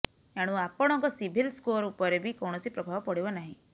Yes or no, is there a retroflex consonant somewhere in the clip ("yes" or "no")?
yes